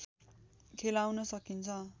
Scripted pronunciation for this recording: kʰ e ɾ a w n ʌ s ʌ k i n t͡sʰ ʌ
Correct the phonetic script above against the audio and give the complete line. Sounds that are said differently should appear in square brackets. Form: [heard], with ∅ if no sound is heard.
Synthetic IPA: kʰ e [l] a w n ʌ s ʌ k i n t͡sʰ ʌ